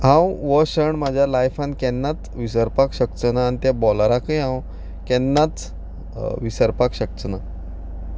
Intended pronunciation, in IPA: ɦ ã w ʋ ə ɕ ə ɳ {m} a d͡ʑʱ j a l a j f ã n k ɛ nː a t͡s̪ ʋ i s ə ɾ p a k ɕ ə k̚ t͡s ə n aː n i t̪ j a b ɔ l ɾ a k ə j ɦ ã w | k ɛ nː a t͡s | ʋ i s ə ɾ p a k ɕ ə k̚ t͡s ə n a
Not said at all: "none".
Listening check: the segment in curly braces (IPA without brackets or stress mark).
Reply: m